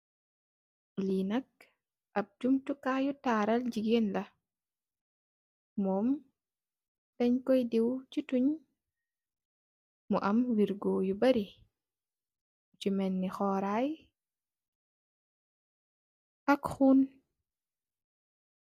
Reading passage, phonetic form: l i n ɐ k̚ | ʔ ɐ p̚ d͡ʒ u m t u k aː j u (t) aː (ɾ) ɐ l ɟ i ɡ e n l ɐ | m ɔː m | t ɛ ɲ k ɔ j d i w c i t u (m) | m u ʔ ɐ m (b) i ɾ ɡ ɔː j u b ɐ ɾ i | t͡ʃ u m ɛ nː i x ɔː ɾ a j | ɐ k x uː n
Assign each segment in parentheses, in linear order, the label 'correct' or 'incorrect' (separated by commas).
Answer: correct, correct, incorrect, incorrect